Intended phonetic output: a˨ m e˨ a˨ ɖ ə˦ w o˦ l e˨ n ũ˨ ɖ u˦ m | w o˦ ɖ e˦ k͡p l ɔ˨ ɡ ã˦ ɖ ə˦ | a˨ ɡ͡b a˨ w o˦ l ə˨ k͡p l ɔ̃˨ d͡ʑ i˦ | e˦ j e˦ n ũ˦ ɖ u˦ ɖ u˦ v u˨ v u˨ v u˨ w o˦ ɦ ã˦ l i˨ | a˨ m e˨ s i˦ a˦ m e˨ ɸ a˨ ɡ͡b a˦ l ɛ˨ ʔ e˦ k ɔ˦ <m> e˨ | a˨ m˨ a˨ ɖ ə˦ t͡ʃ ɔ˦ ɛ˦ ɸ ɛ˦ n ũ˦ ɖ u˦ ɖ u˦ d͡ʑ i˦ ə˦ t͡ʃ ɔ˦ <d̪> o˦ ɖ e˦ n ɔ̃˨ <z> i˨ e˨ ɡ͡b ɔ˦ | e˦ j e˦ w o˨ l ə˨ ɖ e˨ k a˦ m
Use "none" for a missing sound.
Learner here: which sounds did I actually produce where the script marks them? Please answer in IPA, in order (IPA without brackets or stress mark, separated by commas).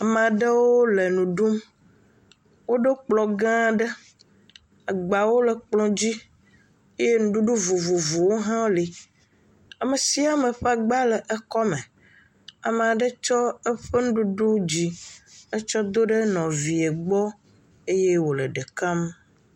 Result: m, d̪, v